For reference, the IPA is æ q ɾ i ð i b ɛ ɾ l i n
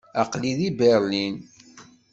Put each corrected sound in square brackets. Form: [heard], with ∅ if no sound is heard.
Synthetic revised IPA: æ q [l] i ð i b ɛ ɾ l i n